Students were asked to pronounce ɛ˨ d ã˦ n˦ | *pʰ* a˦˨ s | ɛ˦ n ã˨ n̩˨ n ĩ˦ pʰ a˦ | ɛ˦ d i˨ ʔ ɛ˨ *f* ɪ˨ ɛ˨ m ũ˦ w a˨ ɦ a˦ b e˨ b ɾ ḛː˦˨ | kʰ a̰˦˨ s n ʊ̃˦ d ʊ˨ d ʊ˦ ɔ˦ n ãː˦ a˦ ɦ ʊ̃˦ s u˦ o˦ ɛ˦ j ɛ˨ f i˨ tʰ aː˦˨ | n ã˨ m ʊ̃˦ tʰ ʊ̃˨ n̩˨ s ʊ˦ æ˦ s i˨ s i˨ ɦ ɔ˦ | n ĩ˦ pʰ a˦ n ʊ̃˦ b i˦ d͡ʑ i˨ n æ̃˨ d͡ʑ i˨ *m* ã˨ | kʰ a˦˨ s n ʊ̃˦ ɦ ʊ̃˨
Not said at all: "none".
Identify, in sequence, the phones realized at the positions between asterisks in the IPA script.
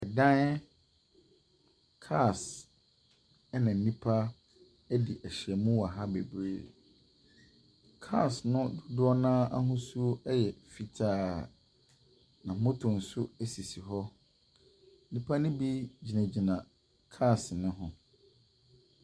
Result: kʰ, ɕ, n

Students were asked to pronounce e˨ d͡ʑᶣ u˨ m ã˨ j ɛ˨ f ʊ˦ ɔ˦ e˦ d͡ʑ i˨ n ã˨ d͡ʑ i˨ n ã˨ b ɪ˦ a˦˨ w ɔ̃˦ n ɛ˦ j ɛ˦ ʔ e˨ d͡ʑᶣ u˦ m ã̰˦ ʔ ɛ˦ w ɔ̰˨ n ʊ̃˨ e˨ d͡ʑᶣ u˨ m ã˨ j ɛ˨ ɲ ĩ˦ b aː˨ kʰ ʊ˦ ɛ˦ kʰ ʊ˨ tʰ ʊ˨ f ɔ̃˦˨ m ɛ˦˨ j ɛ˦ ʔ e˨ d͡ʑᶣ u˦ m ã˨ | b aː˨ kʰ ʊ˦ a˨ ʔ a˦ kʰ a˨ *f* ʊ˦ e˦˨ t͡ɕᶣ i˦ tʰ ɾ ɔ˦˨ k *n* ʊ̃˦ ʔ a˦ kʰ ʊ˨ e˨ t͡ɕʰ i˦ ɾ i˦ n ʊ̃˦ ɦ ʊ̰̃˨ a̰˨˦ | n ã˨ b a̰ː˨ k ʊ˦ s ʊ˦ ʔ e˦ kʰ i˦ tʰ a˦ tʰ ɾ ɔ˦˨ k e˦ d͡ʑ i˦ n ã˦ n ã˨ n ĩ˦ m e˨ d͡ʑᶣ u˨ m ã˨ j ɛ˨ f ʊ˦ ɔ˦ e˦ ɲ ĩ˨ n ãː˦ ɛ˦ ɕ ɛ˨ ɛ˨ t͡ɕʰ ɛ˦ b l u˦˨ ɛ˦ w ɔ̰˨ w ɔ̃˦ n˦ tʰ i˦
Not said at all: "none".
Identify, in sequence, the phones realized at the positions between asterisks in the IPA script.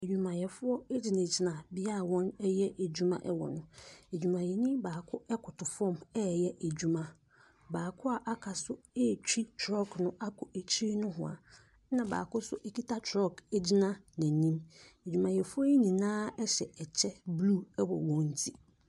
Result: s, n

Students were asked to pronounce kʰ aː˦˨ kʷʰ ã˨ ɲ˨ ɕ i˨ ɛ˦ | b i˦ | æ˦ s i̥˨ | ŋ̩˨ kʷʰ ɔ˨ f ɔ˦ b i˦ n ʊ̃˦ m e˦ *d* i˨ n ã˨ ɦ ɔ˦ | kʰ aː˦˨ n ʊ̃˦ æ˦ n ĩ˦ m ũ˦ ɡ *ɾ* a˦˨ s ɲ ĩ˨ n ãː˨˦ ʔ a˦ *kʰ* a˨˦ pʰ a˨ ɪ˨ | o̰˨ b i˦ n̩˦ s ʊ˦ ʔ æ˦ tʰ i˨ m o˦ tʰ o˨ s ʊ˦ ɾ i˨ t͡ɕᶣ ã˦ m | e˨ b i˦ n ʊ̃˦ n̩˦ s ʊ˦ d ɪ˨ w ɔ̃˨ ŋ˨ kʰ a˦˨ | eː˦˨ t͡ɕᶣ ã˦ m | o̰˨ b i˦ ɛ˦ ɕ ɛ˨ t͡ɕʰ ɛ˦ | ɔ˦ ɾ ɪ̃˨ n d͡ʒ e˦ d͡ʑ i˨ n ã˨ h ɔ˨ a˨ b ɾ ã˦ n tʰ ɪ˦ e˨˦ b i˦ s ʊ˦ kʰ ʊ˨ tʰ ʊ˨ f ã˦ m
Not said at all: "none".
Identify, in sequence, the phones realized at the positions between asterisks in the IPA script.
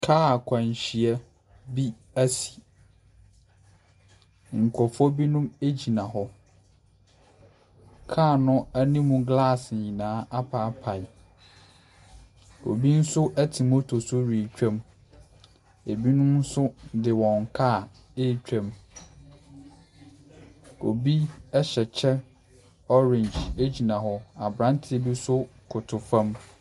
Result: d͡ʑ, l, pʰ

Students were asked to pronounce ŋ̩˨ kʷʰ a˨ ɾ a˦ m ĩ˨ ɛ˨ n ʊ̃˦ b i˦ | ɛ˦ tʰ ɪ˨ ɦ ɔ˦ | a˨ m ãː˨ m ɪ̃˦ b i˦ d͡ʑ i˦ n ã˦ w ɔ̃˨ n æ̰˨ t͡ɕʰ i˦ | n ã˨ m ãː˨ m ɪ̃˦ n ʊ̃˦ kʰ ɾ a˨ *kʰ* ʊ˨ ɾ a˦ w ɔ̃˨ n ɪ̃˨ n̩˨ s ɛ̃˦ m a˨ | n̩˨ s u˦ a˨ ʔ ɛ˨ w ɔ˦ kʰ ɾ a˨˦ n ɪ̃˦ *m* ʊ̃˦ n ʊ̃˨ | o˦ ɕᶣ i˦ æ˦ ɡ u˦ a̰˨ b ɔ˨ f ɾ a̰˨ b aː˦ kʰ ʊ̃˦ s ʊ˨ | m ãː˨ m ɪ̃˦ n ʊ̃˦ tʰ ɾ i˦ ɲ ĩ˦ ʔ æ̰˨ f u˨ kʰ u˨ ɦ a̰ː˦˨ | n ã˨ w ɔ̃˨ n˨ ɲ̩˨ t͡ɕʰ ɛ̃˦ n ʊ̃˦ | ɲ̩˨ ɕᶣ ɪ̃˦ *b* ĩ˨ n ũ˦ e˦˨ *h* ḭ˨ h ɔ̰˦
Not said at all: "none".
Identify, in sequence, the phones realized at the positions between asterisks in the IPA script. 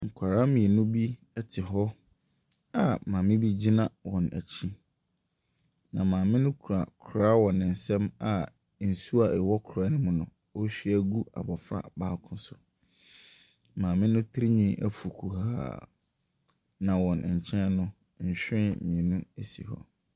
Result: kʰ, m, m, s

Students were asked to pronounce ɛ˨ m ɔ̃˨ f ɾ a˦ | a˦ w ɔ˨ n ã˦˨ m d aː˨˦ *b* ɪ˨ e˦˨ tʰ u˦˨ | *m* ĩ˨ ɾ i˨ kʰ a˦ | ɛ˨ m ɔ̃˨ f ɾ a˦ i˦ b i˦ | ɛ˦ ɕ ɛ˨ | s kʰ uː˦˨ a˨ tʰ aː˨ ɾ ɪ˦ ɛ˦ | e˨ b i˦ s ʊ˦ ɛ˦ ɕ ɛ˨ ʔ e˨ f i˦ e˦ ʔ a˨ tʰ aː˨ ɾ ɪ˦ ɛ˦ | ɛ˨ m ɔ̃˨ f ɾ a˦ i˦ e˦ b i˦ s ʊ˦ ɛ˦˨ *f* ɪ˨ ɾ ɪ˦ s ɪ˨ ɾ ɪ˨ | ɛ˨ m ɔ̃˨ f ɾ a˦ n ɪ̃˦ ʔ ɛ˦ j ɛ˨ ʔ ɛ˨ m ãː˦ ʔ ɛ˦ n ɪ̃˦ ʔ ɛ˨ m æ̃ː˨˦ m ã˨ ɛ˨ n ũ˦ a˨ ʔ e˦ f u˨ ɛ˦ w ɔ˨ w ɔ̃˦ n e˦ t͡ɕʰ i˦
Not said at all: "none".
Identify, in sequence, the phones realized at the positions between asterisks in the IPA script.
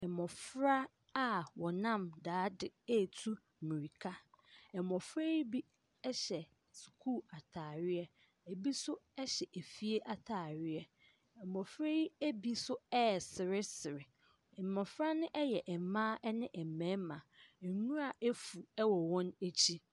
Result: d, m, s

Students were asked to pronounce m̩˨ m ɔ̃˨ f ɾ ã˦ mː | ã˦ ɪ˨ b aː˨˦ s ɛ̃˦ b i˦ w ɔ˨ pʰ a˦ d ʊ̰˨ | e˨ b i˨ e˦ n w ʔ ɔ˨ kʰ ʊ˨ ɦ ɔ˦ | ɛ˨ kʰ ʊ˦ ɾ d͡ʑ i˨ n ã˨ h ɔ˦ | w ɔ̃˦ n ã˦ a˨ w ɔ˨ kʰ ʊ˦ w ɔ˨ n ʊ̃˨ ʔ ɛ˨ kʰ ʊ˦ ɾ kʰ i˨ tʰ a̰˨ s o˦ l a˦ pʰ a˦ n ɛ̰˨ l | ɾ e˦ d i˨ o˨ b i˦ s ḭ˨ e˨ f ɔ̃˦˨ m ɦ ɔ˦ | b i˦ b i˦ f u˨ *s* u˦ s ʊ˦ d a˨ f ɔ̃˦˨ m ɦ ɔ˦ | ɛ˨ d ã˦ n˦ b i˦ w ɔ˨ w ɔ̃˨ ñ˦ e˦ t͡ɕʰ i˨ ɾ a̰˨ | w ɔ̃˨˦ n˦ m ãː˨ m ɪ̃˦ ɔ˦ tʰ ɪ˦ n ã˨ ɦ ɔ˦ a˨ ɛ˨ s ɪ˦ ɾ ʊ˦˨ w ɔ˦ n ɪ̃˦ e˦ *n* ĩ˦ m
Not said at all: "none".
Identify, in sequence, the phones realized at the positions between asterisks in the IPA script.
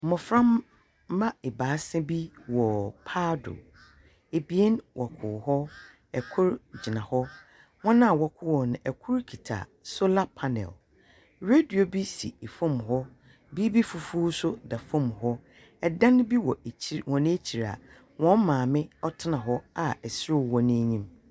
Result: f, ɲ

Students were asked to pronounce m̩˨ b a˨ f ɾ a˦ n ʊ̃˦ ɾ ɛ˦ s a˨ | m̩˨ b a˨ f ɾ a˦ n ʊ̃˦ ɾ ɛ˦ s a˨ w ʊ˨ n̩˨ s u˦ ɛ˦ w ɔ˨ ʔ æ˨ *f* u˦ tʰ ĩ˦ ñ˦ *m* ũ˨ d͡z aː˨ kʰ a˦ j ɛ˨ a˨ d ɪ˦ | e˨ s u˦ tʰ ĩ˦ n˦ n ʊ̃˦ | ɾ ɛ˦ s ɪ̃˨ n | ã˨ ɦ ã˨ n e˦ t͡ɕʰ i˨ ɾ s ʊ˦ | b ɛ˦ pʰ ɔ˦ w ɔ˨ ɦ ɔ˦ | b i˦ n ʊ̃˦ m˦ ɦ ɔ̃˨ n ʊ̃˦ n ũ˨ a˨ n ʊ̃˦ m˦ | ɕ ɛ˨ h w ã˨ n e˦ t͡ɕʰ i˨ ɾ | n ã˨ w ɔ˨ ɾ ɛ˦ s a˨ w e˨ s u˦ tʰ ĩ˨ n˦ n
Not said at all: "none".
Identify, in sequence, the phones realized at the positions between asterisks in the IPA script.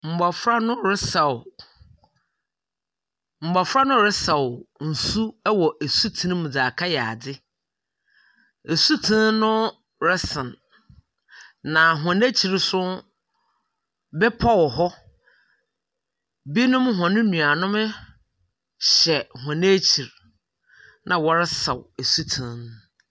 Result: s, m

